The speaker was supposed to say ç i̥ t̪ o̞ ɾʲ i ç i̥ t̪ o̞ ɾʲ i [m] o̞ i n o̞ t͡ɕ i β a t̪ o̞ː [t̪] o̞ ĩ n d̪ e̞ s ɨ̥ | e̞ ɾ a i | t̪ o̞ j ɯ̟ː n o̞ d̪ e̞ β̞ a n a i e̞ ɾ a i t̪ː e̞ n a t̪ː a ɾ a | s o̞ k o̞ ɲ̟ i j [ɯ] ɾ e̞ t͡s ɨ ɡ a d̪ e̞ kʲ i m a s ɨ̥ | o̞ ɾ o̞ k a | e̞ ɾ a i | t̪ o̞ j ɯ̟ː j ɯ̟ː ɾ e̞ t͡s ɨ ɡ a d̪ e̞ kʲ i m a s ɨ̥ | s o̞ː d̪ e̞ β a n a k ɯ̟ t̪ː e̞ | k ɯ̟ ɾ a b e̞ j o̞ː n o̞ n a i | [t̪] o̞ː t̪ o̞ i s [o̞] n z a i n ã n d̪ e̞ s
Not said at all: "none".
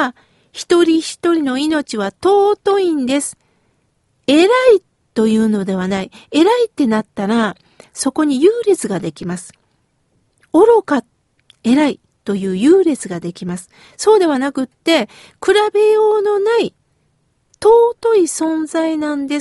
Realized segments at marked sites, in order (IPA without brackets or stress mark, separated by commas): n, t̪, ɯː, t̪, õ̞